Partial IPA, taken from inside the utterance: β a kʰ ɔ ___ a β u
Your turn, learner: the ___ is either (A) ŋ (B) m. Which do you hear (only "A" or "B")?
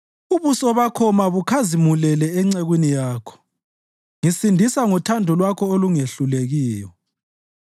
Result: B